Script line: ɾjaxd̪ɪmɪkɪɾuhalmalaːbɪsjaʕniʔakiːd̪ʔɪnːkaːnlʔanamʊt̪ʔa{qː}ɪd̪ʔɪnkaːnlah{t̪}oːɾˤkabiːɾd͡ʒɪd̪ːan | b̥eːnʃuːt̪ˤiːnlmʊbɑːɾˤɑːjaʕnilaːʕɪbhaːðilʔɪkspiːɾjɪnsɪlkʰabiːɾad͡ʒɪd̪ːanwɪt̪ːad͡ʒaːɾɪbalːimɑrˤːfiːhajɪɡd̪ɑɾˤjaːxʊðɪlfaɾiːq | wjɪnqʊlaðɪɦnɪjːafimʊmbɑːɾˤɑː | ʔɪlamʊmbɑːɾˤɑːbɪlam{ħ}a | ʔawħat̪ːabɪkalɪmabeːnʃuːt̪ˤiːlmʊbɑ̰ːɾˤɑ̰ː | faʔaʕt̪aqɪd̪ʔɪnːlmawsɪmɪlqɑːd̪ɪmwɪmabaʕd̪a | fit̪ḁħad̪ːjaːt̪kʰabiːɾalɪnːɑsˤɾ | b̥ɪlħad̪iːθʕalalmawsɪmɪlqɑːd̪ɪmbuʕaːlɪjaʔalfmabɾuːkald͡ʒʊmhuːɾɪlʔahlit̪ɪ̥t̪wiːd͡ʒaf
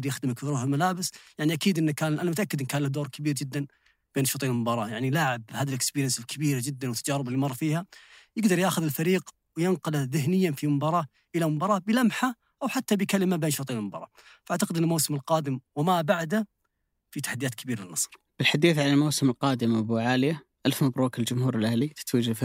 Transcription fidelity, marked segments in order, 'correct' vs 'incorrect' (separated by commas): incorrect, incorrect, correct